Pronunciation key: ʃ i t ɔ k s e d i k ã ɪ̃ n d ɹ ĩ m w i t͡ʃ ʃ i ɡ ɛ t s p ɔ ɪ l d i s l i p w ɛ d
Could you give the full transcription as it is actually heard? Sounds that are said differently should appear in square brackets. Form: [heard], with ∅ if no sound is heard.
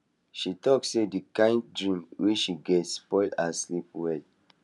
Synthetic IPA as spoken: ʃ i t ɔ k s e d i k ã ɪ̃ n d ɹ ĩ m w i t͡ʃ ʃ i ɡ ɛ t s p ɔ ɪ l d [a] s l i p w ɛ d